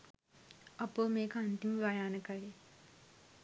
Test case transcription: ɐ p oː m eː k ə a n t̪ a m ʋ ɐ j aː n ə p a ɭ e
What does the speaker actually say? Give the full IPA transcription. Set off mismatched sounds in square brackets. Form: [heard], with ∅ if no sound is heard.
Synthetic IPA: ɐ p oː m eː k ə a n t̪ [i] m ʋ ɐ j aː n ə [k] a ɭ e